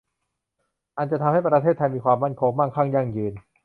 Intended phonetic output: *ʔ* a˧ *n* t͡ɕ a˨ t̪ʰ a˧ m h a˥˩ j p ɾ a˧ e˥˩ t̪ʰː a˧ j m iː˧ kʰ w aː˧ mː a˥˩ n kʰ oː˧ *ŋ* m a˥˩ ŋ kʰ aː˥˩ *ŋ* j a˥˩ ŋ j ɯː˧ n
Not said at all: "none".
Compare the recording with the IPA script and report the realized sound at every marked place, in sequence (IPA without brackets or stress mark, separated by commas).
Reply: ʔ, n, ŋ, ŋ